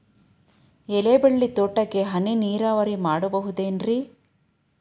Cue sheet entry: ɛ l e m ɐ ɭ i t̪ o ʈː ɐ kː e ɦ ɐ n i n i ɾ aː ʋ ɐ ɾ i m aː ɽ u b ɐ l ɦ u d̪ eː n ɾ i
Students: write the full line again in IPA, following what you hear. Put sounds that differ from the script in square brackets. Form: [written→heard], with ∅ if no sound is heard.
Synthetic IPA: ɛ l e [m→b] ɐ [ɭ→ɭː] i t̪ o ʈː ɐ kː e ɦ ɐ n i n [i→iː] ɾ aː ʋ ɐ ɾ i m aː ɽ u b ɐ [l→∅] ɦ u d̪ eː n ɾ i

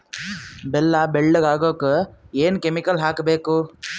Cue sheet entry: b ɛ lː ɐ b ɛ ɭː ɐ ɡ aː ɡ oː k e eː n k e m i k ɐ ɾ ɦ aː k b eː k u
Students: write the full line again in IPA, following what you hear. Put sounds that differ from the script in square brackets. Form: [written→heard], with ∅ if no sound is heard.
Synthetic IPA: b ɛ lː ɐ b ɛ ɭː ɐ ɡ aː ɡ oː k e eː n k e m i k ɐ [ɾ→l] ɦ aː k b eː k u

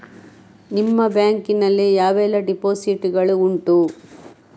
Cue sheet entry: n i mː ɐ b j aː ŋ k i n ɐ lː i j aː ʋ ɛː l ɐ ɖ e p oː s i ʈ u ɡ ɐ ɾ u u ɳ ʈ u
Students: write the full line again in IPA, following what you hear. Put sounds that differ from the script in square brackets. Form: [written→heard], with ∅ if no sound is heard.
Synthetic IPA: n i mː ɐ b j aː ŋ k i n ɐ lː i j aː ʋ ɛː l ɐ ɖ [e→i] p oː s i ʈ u ɡ ɐ [ɾ→ɭ] u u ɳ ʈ u

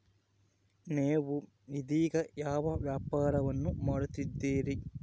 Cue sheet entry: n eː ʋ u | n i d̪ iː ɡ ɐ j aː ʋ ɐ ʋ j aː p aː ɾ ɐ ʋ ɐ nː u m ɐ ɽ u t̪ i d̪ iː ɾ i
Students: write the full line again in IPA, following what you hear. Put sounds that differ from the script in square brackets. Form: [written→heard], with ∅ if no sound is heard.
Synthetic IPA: n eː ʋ u | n i d̪ iː ɡ ɐ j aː ʋ ɐ ʋ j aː p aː ɾ ɐ ʋ ɐ nː u m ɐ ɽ u t̪ i [d̪→d̪ː] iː ɾ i

